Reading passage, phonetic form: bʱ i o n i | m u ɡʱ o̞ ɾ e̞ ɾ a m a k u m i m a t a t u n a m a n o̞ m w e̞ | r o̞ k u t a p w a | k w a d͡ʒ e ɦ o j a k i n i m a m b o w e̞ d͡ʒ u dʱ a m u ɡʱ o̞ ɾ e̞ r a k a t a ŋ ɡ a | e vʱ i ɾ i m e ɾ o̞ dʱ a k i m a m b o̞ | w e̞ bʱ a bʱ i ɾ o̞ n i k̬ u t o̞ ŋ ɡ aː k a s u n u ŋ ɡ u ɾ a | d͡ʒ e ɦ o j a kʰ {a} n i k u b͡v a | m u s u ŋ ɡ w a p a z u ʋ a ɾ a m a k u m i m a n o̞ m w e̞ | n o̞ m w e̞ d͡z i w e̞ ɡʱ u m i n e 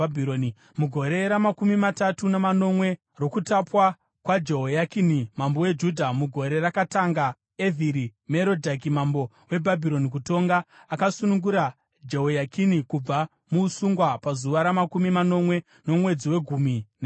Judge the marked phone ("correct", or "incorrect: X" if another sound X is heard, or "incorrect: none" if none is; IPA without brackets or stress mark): incorrect: i